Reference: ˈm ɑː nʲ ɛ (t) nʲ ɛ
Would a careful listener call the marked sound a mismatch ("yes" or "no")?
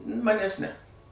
yes